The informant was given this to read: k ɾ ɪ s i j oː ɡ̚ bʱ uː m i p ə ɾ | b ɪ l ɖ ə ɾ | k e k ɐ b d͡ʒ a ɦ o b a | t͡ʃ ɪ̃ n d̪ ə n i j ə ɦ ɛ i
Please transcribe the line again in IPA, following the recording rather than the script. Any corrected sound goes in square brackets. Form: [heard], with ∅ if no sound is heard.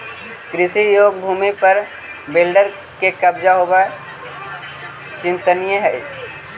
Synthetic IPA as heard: k ɾ ɪ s i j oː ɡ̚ bʱ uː m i p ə ɾ | b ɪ l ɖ ə ɾ | k e k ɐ b d͡ʒ a ɦ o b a | t͡ʃ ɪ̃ n [t̪] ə n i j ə ɦ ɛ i